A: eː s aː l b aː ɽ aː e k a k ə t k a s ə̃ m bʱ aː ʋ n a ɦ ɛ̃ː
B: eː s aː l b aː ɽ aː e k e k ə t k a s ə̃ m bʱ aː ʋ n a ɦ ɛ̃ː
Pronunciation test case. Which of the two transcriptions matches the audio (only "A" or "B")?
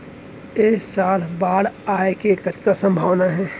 B